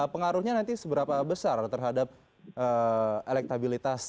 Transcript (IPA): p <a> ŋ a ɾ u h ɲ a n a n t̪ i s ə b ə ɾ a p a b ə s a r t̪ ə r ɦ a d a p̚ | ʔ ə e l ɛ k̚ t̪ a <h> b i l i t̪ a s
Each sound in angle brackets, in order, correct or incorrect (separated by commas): incorrect, incorrect